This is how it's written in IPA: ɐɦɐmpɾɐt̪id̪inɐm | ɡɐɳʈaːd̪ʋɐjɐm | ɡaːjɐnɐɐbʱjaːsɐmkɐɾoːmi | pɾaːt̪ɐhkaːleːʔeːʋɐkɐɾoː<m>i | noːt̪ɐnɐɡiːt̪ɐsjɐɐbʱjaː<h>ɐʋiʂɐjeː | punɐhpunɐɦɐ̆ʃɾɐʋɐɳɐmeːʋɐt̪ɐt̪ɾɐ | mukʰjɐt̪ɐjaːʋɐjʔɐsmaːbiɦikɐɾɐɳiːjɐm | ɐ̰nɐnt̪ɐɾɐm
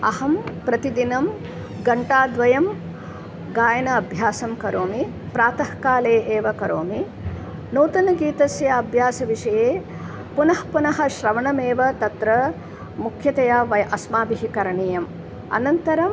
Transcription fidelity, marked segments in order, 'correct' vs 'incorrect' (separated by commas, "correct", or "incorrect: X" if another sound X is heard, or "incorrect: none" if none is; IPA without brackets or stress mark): correct, incorrect: s